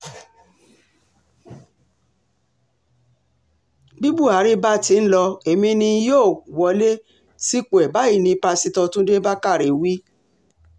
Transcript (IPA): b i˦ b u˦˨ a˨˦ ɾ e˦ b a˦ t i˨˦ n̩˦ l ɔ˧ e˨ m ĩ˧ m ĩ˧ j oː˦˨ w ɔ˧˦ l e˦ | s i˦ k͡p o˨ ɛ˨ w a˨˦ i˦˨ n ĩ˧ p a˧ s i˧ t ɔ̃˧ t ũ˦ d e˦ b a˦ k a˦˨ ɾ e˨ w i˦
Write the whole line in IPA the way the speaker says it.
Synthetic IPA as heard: b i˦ b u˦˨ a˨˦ ɾ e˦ b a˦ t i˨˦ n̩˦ l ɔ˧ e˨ m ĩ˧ n ĩ˧ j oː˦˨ w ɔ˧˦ l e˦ | s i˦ k͡p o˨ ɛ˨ b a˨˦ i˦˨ n ĩ˧ p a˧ s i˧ t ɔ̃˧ t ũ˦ d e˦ b a˦ k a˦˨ ɾ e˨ w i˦